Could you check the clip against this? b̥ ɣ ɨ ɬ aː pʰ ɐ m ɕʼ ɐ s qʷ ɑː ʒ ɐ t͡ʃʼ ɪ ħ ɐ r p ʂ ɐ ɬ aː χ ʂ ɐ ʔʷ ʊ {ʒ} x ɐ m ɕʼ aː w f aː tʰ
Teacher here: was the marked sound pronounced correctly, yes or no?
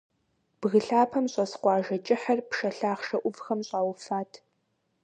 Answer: no